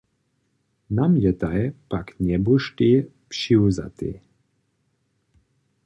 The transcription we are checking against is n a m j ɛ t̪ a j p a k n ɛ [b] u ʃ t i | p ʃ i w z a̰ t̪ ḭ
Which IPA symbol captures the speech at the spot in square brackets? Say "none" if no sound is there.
b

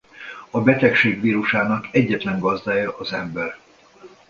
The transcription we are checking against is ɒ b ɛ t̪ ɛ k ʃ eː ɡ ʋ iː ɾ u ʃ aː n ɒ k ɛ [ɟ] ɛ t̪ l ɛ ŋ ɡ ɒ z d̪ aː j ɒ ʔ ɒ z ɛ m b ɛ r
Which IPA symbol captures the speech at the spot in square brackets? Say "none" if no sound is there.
ɟː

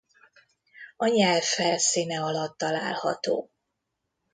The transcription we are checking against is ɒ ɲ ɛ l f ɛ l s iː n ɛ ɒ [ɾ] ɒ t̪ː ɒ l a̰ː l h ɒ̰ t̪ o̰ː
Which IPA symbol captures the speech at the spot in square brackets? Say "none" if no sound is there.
l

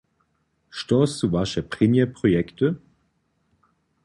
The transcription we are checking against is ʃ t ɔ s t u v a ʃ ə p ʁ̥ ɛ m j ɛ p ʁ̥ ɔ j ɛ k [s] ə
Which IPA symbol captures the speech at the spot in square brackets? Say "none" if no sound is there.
t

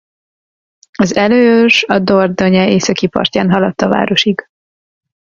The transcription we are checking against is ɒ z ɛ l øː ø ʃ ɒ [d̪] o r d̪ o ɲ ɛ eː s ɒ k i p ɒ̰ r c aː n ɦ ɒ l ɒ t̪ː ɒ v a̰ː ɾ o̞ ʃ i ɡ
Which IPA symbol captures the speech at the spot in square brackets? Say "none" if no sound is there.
d̪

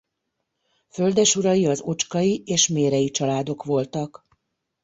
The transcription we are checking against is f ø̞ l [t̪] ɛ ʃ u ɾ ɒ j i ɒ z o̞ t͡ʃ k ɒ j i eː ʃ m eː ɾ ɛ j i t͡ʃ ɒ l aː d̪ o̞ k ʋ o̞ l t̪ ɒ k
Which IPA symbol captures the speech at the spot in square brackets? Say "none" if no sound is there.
d̪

